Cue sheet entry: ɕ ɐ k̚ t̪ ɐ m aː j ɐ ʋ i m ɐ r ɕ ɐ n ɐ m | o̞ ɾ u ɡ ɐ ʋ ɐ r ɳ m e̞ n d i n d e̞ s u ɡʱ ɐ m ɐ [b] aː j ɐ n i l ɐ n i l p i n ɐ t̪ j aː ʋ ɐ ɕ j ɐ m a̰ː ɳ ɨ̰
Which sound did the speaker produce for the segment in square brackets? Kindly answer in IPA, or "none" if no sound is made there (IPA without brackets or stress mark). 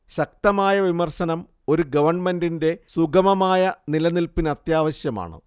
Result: m